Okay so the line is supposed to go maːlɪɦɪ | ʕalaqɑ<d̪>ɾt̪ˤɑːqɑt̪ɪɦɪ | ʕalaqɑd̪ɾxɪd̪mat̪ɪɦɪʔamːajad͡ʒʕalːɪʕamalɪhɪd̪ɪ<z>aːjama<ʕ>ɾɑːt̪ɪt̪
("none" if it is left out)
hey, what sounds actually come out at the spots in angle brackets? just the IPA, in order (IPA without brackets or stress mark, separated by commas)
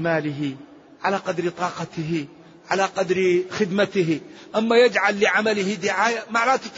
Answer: d̪, ʕ, ʕ